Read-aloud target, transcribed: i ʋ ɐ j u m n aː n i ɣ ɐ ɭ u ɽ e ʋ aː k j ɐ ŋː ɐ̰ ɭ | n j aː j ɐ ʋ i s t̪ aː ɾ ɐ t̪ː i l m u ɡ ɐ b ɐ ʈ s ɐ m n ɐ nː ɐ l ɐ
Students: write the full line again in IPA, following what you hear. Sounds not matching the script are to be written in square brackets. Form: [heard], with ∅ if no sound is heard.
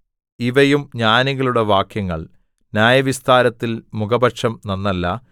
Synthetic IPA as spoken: i ʋ ɐ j u m [ɲ] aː n i ɣ ɐ ɭ u ɽ e ʋ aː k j ɐ ŋː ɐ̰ ɭ | n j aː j ɐ ʋ i s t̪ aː ɾ ɐ t̪ː i l m u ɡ ɐ b ɐ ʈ [ʂ] ɐ m n ɐ nː ɐ [lː] ɐ